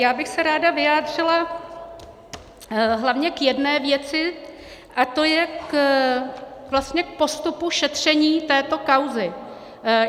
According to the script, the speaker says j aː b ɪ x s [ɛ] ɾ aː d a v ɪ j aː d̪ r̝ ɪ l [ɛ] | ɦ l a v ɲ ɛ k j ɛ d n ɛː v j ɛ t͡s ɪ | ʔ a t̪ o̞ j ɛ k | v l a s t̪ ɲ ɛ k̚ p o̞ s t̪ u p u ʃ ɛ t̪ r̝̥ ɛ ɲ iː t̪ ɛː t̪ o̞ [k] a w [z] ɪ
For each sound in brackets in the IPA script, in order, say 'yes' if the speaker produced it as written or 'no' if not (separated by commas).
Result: yes, no, yes, yes